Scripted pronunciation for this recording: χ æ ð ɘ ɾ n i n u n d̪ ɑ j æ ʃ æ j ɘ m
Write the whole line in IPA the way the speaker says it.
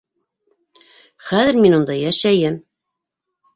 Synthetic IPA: χ æ ð ɘ ɾ m i n u n d̪ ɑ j æ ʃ æ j ɘ m

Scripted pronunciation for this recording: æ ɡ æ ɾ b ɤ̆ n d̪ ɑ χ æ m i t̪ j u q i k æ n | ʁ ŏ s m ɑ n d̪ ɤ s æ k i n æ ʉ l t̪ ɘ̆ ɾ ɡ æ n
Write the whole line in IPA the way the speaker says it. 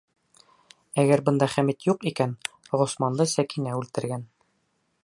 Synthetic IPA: æ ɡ æ ɾ b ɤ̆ n d̪ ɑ χ æ m i t̪ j u q i k æ n | ʁ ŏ s m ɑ n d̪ ɤ s æ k i n æ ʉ l t̪ ɘ̆ ɾ ɡ æ n

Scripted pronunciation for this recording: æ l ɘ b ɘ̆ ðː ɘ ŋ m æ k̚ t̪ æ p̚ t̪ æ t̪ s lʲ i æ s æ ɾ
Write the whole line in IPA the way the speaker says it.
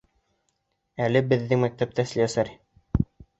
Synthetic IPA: æ l ɘ b ɘ̆ ðː ɘ ŋ m æ k̚ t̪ æ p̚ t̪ æ s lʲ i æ s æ ɾ

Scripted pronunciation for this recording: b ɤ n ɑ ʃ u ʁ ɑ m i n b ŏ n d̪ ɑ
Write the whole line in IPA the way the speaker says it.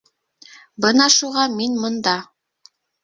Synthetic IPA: b ɤ n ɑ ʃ u ʁ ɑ m i n m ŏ n d̪ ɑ

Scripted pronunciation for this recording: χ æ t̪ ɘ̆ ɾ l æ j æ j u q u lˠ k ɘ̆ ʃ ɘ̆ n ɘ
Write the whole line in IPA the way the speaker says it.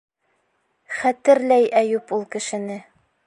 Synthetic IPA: χ æ t̪ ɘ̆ ɾ l æ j æ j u p u lˠ k ɘ̆ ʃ ɘ̆ n ɘ

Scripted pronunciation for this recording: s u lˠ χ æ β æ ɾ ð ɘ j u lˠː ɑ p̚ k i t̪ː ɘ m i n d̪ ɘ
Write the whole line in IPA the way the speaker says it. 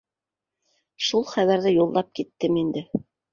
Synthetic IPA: ʃ u lˠ χ æ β æ ɾ ð ɘ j u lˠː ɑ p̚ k i t̪ː ɘ m i n d̪ ɘ

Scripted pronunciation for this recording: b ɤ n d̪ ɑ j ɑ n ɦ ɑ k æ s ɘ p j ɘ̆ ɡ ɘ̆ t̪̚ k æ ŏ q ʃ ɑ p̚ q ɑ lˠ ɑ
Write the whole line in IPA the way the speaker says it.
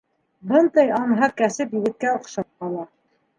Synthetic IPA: b ɤ n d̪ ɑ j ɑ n ɦ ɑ k æ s ɘ p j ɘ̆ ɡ ɘ̆ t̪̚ k æ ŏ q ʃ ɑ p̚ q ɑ lˠ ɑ

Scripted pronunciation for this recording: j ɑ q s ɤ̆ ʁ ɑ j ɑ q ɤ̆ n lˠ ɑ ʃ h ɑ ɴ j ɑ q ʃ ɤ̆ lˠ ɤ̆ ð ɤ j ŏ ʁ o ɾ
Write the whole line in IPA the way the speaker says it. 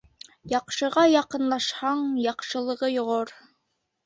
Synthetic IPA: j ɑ q ʃ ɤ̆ ʁ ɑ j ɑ q ɤ̆ n lˠ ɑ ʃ h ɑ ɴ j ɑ q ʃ ɤ̆ lˠ ɤ̆ ʁ ɤ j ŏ ʁ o ɾ

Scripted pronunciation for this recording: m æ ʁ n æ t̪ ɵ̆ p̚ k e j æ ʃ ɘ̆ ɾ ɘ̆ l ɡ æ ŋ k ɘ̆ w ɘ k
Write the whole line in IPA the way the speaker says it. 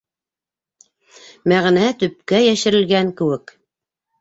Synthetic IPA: m æ ʁ n æ t̪ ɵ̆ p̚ k æ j æ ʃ ɘ̆ ɾ ɘ̆ l ɡ æ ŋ k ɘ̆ w ɘ k

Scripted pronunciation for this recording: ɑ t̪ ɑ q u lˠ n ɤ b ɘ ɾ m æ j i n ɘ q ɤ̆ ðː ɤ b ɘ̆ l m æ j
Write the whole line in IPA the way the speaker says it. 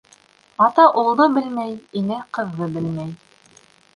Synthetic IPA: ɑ t̪ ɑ ʔ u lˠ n ɤ b ɘ l m æ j i n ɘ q ɤ̆ ðː ɤ b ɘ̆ l m æ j

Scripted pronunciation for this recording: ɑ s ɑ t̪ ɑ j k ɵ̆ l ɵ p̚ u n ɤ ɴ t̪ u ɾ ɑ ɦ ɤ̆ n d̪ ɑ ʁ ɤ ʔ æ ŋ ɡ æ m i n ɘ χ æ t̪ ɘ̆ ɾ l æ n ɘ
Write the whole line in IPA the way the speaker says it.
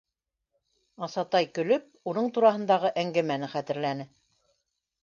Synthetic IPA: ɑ s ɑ t̪ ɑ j k ɵ̆ l ɵ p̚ u n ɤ ɴ t̪ u ɾ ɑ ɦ ɤ̆ n d̪ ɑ ʁ ɤ ʔ æ ŋ ɡ æ m æ n ɘ χ æ t̪ ɘ̆ ɾ l æ n ɘ

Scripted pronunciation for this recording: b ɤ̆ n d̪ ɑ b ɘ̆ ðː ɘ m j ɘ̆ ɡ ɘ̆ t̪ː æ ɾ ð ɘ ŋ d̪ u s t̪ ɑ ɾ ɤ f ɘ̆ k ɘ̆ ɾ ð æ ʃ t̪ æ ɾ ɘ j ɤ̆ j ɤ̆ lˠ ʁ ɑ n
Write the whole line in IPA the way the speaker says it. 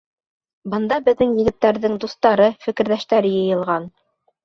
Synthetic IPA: b ɤ̆ n d̪ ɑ b ɘ̆ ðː ɘ ŋ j ɘ̆ ɡ ɘ̆ t̪ː æ ɾ ð ɘ ŋ d̪ u s t̪ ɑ ɾ ɤ f ɘ̆ k ɘ̆ ɾ ð æ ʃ t̪ æ ɾ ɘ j ɤ̆ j ɤ̆ lˠ ʁ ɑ n

